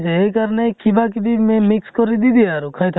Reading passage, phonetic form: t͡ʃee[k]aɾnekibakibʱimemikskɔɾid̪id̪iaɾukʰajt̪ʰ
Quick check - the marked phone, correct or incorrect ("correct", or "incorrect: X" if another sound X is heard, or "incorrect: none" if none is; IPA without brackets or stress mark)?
correct